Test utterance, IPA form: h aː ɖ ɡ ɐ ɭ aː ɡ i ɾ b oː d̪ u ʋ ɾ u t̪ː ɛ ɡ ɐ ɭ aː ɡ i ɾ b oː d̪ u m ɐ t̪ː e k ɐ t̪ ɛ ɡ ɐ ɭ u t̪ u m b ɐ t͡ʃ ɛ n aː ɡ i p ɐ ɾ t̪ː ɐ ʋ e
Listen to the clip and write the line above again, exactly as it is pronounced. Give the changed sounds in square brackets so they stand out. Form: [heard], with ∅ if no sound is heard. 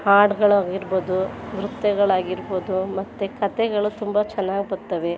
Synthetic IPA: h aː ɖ ɡ ɐ ɭ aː ɡ i ɾ b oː d̪ u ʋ ɾ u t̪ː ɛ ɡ ɐ ɭ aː ɡ i ɾ b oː d̪ u m ɐ t̪ː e k ɐ t̪ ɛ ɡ ɐ ɭ u t̪ u m b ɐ t͡ʃ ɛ [nː] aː ɡ i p ɐ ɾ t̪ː ɐ ʋ e